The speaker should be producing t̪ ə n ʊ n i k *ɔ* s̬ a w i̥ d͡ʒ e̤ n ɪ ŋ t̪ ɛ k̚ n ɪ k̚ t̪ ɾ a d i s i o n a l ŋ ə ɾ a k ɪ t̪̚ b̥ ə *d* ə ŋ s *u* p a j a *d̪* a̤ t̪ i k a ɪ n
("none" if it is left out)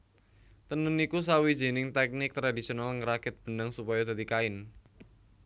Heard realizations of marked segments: u, n, u, d̪

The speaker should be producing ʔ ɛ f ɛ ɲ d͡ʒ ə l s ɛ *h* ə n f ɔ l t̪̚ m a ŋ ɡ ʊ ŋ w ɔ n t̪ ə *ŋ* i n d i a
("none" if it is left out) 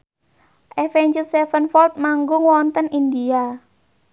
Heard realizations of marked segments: f, n

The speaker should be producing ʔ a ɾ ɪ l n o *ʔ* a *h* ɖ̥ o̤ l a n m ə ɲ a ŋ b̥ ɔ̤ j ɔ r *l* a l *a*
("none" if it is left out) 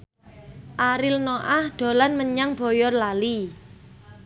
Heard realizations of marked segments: ʔ, h, l, i

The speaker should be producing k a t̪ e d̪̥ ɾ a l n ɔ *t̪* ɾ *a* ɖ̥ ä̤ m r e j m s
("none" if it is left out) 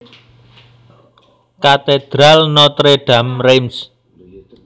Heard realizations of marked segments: t̪, e

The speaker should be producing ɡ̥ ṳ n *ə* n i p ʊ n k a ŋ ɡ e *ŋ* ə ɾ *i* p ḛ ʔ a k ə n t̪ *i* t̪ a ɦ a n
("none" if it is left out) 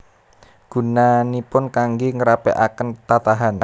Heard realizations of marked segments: a, ŋ, a, a

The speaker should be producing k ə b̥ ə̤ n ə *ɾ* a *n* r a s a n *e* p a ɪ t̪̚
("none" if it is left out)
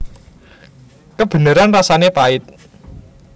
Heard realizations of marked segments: ɾ, n, e

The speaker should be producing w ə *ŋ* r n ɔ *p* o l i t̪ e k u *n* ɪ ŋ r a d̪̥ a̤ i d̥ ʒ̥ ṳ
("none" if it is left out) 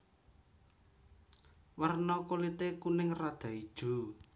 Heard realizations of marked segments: none, k, n

